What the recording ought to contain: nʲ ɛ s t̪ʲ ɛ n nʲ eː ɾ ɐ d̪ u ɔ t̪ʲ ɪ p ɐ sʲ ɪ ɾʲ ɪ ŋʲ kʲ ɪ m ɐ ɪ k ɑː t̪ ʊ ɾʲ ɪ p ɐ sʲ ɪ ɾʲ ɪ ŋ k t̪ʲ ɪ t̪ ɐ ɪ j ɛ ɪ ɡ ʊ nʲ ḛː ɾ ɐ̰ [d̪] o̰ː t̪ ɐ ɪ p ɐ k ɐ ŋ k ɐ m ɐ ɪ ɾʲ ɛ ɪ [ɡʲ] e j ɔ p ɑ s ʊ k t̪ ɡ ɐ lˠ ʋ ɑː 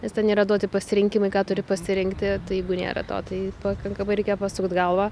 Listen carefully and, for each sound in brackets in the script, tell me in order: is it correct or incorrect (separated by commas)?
incorrect, incorrect